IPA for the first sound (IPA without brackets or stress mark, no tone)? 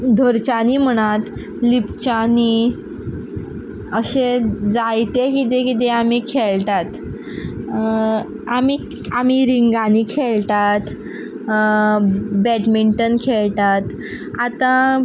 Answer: d̪ʱ